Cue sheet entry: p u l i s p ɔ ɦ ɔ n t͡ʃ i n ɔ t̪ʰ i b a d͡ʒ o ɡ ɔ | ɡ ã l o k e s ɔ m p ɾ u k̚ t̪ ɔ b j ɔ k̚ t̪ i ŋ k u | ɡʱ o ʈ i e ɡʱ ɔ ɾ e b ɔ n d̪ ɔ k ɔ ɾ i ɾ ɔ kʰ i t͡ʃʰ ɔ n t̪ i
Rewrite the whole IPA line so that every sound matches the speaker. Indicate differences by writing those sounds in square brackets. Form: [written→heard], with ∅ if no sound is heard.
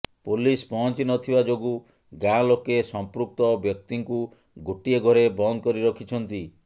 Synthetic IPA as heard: p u l i s p ɔ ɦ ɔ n t͡ʃ i n ɔ t̪ʰ i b a d͡ʒ o ɡ [ɔ→u] | ɡ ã l o k e s ɔ m p ɾ u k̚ t̪ ɔ b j ɔ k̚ t̪ i ŋ k u | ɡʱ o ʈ i e ɡʱ ɔ ɾ e b ɔ n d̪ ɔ k ɔ ɾ i ɾ ɔ kʰ i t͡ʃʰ ɔ n t̪ i